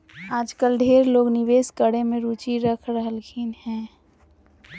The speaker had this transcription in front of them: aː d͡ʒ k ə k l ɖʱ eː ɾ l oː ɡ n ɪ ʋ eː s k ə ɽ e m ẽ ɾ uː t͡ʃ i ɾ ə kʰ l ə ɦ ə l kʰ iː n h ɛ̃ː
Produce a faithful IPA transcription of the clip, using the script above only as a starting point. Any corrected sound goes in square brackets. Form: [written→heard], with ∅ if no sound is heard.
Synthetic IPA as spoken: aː d͡ʒ k ə [k→∅] l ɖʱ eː ɾ l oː ɡ n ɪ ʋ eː s k ə ɽ e m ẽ ɾ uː t͡ʃ i ɾ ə kʰ [l→ɾ] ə ɦ ə l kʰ iː n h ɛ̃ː